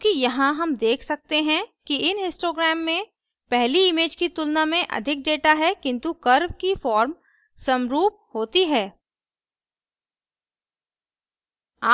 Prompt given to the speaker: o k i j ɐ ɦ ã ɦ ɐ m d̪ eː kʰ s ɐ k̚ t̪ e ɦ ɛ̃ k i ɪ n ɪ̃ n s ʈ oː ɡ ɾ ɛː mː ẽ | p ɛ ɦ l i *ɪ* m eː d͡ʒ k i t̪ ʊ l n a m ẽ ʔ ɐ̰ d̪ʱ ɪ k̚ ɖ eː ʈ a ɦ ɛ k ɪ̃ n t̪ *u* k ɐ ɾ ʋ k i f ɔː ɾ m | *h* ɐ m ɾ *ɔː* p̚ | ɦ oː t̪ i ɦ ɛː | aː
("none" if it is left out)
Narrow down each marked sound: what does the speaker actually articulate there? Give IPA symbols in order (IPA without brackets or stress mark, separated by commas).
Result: ɪ, u, s, uː